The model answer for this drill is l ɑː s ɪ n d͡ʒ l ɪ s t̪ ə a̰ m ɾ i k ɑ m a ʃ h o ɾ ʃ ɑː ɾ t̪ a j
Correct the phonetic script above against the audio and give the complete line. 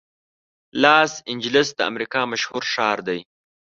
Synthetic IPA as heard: l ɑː s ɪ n d͡ʒ l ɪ s d̪ ə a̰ m ɾ i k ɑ m a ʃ h u ɾ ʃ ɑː ɾ d̪ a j